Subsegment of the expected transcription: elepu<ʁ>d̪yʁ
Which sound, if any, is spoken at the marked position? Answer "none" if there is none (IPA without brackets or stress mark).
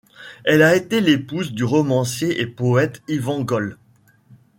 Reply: z